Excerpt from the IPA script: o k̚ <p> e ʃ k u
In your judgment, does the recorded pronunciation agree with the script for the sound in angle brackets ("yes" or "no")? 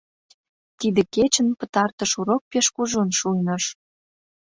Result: yes